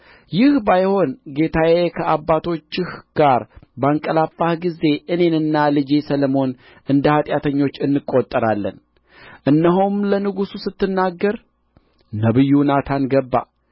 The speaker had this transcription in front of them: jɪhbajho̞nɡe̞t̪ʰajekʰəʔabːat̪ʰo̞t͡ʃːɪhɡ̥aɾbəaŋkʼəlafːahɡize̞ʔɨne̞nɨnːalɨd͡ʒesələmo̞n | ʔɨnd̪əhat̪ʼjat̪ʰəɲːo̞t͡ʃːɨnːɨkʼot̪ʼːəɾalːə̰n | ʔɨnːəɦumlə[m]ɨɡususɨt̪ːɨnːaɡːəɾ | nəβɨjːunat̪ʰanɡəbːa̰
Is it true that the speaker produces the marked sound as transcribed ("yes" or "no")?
no